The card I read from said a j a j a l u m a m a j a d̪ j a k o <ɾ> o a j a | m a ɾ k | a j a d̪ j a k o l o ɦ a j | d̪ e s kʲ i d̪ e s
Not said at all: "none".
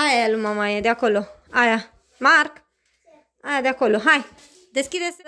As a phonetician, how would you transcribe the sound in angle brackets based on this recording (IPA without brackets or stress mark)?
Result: l